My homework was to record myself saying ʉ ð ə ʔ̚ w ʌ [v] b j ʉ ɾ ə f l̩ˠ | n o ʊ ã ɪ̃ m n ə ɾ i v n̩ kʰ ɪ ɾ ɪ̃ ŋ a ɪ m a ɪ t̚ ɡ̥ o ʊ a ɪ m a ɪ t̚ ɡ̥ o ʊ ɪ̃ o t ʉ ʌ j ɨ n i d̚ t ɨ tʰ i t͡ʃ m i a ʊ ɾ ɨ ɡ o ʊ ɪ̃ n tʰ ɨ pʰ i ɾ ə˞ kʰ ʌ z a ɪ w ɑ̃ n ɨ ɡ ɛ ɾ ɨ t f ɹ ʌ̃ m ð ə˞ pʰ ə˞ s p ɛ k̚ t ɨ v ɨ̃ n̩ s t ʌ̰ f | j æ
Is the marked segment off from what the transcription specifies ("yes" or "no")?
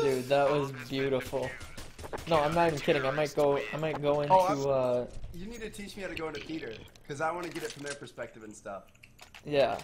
yes